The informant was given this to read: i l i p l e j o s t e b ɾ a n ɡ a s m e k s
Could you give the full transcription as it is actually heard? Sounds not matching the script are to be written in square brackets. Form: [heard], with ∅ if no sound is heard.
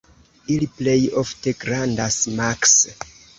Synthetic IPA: i l i p l e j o [f] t e [ɡ] ɾ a n [d] a s m [a] k s